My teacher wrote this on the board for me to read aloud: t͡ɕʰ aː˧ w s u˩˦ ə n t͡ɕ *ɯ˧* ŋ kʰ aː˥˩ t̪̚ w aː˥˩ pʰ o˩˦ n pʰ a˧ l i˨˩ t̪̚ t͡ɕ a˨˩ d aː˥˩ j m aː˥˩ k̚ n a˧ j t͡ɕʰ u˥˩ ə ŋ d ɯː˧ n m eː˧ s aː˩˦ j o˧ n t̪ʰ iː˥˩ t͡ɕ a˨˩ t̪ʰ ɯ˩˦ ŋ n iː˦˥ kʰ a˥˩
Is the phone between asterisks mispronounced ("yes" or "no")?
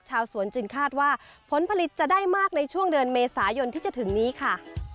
no